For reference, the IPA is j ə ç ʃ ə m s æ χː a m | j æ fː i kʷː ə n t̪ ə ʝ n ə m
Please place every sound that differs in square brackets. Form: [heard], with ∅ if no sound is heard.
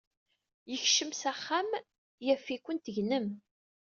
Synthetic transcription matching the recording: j ə ç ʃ ə m s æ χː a m | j æ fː i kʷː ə n t̪ ə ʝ n ə m